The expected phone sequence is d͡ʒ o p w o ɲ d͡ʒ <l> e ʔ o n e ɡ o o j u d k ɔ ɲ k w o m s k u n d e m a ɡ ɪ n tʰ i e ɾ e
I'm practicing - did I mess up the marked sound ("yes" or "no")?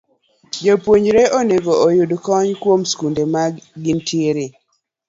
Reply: yes